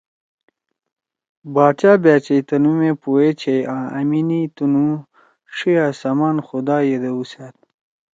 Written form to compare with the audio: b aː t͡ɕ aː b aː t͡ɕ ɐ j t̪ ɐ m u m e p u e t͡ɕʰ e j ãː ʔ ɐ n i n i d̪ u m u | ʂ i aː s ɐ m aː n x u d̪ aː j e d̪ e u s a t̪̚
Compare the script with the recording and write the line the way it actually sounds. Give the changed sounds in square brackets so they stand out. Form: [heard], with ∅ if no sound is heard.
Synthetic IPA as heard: b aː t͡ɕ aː b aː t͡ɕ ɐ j t̪ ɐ [n] u m e p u e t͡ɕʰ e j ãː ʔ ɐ [m] i n i [t̪] u [n] u | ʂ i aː s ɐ m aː n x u d̪ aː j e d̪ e u s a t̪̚